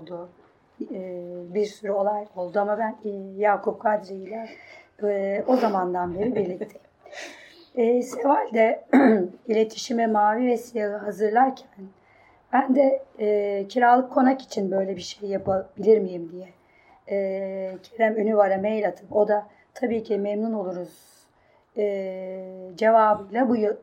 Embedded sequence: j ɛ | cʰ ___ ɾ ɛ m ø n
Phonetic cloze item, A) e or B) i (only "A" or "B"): A